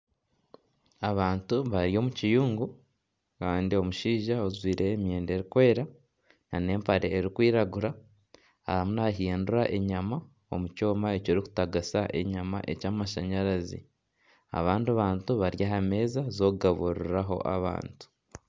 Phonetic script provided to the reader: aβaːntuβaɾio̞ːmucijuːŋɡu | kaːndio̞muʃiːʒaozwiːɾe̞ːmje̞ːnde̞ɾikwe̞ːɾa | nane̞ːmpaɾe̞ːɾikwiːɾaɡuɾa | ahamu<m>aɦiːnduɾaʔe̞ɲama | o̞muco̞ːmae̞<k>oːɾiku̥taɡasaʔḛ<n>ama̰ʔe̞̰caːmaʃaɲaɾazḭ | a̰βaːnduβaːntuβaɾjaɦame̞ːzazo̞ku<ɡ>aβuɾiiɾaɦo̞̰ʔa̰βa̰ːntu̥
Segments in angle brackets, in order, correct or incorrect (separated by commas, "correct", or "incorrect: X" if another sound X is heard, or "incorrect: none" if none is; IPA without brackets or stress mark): incorrect: n, incorrect: c, incorrect: ɲ, correct